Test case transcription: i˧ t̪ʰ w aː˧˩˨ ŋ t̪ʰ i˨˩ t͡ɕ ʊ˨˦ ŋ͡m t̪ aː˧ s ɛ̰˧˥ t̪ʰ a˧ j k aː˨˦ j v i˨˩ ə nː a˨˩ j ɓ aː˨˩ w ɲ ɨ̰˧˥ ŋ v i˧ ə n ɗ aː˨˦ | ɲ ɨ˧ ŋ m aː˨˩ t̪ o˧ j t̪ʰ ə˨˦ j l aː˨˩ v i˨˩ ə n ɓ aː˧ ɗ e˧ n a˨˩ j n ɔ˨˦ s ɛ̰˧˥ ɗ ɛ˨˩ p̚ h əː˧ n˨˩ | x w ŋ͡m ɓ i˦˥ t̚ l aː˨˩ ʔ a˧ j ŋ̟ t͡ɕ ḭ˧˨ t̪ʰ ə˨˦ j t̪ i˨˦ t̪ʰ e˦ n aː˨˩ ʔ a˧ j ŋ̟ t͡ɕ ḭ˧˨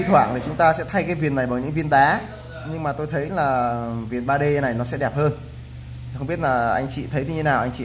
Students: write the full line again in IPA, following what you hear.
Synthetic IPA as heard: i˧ t̪ʰ w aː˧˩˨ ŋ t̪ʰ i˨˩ t͡ɕ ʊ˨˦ ŋ͡m t̪ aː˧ s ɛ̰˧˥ t̪ʰ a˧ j k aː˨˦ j v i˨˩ ə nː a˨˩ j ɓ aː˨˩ w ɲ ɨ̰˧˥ ŋ v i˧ ə n ɗ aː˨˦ | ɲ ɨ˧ ŋ m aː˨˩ t̪ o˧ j t̪ʰ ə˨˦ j l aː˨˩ v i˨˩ ə n ɓ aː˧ ɗ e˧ n a˨˩ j n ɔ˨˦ s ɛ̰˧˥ ɗ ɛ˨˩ p̚ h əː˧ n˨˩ | x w ŋ͡m ɓ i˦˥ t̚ l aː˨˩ ʔ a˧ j ŋ̟ t͡ɕ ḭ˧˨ t̪ʰ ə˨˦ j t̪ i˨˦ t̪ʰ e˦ n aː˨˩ ʔ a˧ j ŋ̟ t͡ɕ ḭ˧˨